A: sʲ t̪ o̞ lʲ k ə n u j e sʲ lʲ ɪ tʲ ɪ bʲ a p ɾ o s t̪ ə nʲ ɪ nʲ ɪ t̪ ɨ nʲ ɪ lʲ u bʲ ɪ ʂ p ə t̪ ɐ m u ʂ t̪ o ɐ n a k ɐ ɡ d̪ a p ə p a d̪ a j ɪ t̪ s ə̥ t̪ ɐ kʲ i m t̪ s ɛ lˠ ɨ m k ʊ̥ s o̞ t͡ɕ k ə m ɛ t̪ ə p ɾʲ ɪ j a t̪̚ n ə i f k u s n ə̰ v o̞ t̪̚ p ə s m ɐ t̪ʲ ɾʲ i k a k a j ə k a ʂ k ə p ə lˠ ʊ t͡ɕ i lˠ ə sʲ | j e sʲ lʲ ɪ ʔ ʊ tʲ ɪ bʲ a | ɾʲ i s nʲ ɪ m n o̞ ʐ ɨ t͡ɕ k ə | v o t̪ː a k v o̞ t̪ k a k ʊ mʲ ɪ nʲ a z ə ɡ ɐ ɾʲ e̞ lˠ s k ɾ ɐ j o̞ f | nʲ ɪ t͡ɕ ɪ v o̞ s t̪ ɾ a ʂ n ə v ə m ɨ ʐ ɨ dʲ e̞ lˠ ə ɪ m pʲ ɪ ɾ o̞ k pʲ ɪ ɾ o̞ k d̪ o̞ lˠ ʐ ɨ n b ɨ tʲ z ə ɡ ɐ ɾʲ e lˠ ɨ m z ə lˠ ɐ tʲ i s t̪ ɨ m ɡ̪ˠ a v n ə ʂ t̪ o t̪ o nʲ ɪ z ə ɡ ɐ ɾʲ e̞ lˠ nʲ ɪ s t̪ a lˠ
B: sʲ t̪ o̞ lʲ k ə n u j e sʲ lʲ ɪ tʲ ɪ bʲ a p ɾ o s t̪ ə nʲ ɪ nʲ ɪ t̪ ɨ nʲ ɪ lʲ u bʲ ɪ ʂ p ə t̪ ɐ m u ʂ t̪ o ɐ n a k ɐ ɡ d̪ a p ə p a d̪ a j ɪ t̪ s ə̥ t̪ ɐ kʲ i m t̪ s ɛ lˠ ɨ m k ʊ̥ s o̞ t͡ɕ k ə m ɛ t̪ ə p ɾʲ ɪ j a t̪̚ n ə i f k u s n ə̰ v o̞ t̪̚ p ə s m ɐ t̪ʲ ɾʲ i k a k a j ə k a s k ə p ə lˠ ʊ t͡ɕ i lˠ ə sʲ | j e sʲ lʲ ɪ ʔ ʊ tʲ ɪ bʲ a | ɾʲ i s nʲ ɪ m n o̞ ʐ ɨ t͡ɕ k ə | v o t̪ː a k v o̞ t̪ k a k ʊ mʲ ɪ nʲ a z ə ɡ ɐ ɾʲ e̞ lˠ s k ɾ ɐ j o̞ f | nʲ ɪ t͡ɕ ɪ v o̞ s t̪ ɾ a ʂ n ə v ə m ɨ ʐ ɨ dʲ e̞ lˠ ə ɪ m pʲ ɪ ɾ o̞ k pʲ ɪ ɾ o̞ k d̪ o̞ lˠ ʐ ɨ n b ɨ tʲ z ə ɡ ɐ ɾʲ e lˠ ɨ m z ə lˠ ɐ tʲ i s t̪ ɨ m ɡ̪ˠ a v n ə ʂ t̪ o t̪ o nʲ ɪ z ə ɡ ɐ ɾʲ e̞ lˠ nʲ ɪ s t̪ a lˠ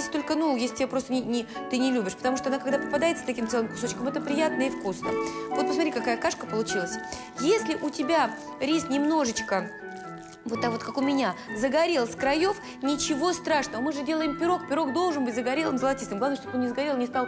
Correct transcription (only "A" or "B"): A